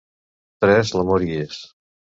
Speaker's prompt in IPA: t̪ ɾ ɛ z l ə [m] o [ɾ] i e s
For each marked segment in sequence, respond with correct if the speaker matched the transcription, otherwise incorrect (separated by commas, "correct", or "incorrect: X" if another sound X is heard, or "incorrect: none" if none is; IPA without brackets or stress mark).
correct, correct